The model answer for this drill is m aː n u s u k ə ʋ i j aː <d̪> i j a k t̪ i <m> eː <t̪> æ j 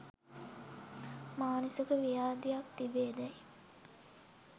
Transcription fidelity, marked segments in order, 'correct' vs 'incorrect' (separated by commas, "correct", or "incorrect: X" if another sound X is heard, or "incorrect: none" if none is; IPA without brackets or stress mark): correct, incorrect: b, incorrect: d̪